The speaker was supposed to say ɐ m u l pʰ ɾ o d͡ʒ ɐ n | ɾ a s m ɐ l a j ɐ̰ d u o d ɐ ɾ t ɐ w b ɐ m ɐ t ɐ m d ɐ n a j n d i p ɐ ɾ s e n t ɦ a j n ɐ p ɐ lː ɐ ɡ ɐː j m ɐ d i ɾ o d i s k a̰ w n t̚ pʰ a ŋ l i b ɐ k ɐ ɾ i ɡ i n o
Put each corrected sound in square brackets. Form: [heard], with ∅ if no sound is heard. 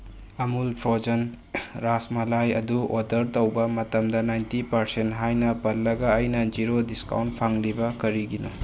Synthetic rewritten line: ɐ m u l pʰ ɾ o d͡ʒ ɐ n | ɾ a s m ɐ l a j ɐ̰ d u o d ɐ ɾ t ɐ w b ɐ m ɐ t ɐ m d ɐ n a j n [t] i p ɐ ɾ s e n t ɦ a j n ɐ p ɐ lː ɐ ɡ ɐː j [n] ɐ [d͡ʒ] i ɾ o d i s k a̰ w n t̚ pʰ a ŋ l i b ɐ k ɐ ɾ i ɡ i n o